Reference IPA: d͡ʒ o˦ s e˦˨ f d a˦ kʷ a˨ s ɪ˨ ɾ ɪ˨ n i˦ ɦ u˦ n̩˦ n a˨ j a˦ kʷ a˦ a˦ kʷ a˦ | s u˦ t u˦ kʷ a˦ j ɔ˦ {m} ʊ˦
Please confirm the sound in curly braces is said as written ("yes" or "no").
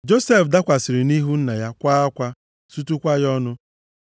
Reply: no